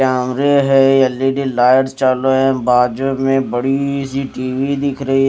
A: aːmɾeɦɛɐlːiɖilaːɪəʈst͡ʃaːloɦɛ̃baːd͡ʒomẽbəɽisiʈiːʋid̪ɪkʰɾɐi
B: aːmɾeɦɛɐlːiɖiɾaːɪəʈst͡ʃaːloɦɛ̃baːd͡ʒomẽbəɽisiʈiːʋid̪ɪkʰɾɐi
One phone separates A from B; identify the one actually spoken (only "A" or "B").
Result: A